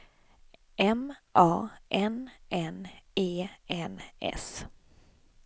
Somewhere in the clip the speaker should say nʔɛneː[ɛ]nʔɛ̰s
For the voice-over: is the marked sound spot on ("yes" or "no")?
yes